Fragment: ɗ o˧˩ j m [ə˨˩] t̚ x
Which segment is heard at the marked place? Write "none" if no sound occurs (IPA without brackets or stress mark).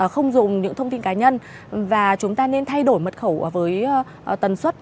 ə˨˩